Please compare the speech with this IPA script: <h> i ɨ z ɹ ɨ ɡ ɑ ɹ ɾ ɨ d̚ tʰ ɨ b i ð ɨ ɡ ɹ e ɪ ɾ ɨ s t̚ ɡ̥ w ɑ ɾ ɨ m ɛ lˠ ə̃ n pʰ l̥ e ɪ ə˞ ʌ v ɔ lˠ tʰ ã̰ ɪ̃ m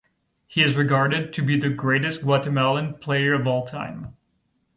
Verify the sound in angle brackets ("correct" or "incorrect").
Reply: correct